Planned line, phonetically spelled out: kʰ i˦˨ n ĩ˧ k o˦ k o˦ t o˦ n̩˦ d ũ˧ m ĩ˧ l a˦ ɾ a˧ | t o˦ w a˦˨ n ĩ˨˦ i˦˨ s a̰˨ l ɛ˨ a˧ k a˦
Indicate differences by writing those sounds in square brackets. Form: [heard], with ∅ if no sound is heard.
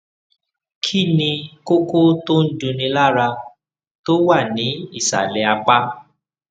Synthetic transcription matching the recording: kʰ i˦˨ n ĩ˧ k o˦ k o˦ t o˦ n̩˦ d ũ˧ [n] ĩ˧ l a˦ ɾ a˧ | t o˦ w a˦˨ n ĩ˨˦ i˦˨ s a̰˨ l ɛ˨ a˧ [k͡p] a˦